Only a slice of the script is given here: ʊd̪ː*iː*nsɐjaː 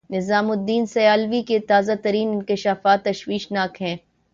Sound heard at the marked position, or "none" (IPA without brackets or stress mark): iː